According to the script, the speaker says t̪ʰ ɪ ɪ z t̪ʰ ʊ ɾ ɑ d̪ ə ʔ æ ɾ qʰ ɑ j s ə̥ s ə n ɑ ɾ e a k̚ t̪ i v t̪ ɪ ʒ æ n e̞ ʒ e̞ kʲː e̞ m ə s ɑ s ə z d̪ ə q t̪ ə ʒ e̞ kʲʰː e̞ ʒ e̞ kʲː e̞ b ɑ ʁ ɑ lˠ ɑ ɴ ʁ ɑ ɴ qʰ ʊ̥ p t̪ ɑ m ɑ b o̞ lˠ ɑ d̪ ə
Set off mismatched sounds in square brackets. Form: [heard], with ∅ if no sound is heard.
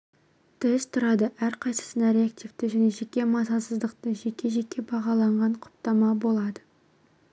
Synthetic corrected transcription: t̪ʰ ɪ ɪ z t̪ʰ ʊ ɾ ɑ d̪ ə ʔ æ ɾ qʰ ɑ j s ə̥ s ə n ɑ ɾ e a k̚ t̪ i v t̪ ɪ ʒ æ n e̞ ʒ e̞ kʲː e̞ m [ɑ] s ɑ s ə z d̪ ə q t̪ ə ʒ e̞ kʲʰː e̞ ʒ e̞ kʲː e̞ b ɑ ʁ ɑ lˠ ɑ ɴ ʁ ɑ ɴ qʰ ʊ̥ p t̪ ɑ m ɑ b o̞ lˠ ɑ d̪ ə